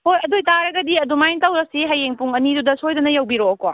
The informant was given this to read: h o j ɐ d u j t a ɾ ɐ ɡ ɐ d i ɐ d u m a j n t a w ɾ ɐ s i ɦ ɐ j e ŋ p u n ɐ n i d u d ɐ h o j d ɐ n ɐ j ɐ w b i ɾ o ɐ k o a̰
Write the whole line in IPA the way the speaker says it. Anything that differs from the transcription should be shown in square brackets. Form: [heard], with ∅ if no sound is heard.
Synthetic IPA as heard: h o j ɐ d [o] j t a ɾ ɐ ɡ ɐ d i ɐ d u m a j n t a w ɾ ɐ s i ɦ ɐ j e ŋ p u [ŋ] ɐ n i d u d ɐ [s] o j d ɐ n ɐ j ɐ w b i ɾ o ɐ k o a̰